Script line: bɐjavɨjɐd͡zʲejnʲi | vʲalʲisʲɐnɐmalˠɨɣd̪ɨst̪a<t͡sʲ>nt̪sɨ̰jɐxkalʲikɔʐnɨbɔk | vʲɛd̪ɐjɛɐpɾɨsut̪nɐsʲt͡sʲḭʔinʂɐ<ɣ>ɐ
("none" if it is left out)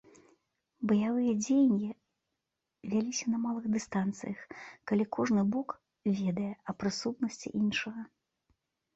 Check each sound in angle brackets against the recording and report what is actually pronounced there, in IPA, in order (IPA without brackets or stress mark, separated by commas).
none, ɣ